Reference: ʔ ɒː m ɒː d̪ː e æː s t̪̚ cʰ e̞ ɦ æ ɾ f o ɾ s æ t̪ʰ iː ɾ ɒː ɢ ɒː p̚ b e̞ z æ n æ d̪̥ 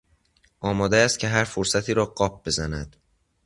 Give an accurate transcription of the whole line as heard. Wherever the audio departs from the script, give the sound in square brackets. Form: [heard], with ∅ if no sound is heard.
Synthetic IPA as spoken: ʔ ɒː m ɒː [d̪] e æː s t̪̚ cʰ e̞ ɦ æ ɾ f o ɾ s æ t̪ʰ iː ɾ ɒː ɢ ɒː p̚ b e̞ z æ n æ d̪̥